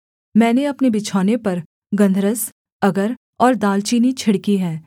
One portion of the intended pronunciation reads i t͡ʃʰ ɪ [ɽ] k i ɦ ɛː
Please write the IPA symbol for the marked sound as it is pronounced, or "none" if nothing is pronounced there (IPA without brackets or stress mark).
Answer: ɽ